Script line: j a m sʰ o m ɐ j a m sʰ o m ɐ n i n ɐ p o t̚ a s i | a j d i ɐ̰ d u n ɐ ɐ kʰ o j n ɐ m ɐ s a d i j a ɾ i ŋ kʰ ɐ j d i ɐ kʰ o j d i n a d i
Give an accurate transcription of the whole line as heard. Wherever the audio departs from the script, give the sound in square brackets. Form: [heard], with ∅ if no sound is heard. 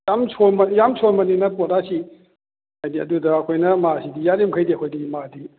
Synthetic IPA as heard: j a m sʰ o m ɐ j a m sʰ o m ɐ n i n ɐ p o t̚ a s i | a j d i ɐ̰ d u [d] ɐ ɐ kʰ o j n ɐ m [a] s [i] d i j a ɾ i [m] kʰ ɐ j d i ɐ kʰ o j d i [m] a d i